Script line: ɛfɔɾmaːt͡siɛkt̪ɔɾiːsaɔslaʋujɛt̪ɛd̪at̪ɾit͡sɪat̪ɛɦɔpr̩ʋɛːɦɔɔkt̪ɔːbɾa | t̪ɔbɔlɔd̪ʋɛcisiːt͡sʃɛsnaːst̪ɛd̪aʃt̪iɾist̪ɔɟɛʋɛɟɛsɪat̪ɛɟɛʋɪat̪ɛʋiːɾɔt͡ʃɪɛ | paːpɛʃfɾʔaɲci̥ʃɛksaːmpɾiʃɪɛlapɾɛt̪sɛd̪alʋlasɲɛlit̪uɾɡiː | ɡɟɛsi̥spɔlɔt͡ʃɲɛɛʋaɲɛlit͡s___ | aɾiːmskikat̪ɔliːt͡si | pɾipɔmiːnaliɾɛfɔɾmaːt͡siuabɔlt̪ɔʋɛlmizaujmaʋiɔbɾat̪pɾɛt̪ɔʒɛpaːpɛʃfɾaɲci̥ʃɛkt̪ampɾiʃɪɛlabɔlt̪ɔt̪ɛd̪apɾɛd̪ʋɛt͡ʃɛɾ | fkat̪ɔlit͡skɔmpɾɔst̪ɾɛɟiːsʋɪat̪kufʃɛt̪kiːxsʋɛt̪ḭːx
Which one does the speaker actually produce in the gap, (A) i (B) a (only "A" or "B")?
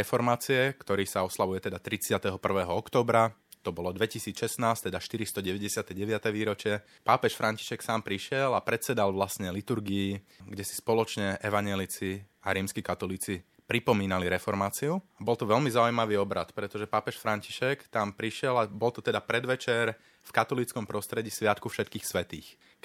A